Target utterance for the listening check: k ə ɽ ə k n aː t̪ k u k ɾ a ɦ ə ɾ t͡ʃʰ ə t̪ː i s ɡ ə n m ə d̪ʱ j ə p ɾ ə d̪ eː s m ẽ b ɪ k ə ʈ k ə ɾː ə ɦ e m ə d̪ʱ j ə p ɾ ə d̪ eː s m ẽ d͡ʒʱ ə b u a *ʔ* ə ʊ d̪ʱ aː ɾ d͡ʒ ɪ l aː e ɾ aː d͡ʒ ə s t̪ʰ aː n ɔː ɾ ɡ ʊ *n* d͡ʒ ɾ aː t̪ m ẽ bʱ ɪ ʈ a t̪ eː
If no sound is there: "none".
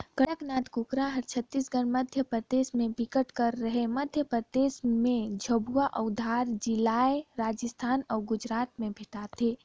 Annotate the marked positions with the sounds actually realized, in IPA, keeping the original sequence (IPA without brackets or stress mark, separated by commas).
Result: ʔ, none